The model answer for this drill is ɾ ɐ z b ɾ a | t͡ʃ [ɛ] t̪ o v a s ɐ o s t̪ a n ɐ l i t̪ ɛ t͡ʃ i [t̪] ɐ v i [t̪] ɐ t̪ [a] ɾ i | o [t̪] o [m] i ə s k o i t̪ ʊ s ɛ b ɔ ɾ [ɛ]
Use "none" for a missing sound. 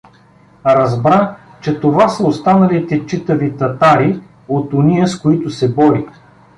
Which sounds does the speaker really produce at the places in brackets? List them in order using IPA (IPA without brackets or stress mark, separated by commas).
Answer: ɛ, t̪, t̪, a, t̪, n, i